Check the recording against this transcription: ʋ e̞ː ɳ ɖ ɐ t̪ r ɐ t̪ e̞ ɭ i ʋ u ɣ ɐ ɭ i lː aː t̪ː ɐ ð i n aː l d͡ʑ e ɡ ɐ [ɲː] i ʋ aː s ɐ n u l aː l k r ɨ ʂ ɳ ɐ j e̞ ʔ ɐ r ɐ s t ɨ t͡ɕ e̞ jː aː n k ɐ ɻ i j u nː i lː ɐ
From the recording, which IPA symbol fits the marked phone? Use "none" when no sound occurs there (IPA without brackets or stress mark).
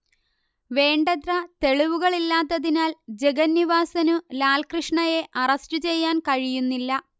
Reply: nː